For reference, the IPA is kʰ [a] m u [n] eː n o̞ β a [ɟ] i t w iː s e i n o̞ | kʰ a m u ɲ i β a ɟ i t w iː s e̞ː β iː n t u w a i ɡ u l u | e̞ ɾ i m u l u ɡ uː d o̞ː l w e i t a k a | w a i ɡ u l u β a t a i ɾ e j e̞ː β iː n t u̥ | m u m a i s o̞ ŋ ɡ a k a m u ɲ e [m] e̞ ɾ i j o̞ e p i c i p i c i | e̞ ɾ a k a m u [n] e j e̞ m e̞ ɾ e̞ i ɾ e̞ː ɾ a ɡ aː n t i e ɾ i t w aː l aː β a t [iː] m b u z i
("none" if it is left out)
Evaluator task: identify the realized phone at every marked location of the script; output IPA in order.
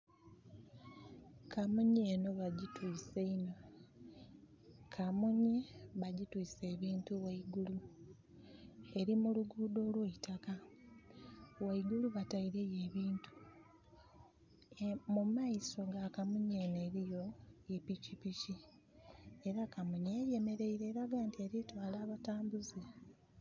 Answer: a, ɲ, ɟ, n, ɲ, aː

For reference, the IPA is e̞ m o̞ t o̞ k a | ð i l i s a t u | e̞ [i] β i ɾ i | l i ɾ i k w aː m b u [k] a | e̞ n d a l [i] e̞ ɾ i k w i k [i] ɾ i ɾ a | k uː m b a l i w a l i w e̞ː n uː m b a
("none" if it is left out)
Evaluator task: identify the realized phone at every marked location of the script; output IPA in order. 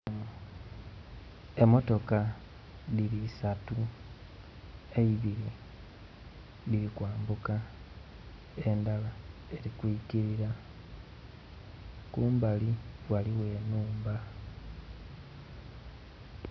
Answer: i, k, a, i

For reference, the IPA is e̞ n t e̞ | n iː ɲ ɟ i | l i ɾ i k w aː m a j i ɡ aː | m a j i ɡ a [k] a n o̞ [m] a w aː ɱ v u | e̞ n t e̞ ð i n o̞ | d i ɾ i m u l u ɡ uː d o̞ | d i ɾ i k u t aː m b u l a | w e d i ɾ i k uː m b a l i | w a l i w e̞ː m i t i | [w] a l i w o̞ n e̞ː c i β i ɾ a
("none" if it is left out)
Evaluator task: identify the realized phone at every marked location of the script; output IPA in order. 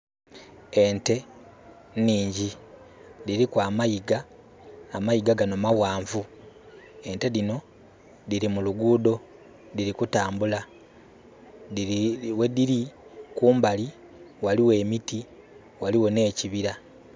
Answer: ɡ, m, w

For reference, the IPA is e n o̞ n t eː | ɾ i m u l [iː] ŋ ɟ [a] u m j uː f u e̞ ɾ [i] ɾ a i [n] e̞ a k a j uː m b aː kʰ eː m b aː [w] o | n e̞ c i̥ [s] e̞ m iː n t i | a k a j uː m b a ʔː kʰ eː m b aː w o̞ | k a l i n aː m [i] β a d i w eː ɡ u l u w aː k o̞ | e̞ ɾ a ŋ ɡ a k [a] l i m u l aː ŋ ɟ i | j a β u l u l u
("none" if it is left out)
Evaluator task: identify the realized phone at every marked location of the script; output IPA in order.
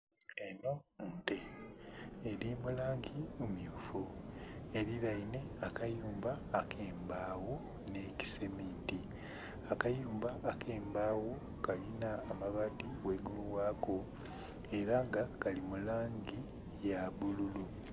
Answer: aː, i, i, n, w, s, a, a

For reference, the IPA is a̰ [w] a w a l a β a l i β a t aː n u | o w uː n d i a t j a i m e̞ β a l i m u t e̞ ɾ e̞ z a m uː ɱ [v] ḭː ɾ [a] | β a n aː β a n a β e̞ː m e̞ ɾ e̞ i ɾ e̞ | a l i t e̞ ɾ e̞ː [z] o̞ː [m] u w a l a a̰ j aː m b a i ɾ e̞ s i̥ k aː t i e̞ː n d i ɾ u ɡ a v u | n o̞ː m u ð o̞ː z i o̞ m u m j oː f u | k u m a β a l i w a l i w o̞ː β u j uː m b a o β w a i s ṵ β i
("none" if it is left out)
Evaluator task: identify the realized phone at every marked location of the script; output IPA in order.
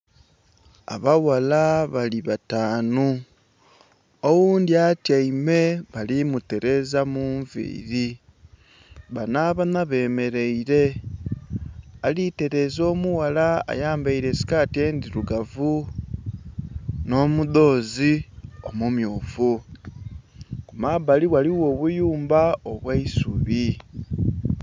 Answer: β, v, i, z, m

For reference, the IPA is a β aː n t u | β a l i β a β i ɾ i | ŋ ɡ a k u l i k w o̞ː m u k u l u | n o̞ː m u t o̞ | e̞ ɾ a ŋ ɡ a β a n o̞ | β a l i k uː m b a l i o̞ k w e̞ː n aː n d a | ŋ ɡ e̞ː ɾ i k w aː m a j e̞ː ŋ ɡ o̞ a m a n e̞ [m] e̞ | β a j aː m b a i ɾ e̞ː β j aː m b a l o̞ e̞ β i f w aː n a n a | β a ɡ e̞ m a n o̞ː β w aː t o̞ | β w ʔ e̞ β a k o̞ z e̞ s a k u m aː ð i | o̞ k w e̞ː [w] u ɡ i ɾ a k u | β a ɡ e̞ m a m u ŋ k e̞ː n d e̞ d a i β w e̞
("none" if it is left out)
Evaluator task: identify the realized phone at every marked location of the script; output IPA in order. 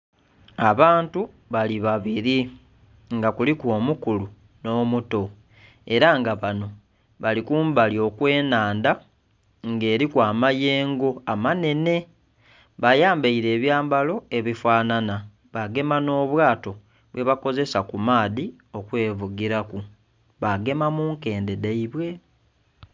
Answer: n, v

